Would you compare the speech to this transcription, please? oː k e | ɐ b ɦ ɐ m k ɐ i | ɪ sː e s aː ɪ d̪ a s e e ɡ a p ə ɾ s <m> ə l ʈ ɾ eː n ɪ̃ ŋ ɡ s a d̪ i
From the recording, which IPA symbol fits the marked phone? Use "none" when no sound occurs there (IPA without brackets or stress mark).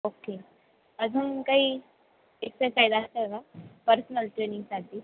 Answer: n